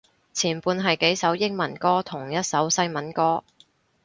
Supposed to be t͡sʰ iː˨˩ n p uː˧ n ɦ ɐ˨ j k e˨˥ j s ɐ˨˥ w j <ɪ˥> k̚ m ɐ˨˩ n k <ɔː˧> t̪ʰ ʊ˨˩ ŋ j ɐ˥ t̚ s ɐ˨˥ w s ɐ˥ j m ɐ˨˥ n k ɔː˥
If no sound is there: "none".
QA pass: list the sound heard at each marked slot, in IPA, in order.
ɪ˥, ɔː˥

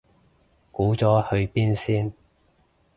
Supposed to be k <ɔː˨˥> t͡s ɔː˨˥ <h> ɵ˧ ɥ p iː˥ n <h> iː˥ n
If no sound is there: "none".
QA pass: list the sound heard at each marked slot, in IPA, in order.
uː˨˥, h, s

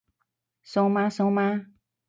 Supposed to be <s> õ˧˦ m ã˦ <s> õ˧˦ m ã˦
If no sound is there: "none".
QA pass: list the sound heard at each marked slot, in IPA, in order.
s, s

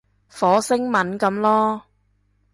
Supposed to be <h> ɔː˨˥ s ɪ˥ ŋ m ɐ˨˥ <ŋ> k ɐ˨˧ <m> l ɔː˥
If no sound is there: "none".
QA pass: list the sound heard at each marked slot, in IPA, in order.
f, n, m

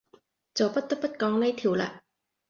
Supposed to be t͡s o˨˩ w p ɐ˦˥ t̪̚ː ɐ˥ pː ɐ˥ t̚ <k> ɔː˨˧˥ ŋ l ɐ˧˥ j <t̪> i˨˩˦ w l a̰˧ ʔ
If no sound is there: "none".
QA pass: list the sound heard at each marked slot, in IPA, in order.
k, t̪ʰ

